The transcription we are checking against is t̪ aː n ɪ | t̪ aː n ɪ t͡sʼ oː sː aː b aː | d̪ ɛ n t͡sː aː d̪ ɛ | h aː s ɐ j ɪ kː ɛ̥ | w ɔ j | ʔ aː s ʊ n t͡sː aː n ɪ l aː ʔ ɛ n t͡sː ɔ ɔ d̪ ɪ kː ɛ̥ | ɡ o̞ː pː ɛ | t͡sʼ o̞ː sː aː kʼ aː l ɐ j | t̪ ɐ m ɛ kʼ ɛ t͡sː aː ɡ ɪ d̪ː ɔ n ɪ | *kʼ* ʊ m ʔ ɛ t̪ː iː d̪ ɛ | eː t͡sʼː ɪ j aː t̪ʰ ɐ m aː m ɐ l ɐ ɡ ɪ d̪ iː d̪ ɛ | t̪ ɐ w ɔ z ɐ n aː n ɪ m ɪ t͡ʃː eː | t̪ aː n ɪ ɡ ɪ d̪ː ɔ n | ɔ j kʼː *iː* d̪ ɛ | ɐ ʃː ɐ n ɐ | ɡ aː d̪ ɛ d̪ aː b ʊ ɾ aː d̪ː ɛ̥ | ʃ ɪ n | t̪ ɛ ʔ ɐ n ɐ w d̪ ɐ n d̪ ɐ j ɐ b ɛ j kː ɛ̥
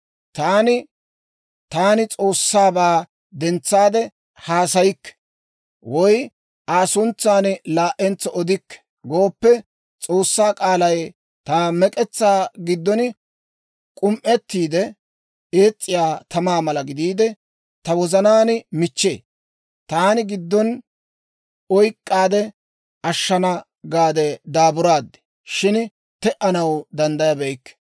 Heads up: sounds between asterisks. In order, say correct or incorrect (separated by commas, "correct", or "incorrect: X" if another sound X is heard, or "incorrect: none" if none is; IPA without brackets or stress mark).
correct, incorrect: aː